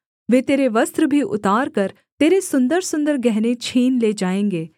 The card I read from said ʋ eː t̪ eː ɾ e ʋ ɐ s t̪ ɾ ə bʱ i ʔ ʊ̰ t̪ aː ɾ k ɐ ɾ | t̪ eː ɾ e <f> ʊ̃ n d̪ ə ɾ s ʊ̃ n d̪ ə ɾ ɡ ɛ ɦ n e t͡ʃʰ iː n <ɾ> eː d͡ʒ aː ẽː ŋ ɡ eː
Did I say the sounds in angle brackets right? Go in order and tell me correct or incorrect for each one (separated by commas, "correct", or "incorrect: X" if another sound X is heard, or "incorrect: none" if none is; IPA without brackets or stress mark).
incorrect: s, incorrect: l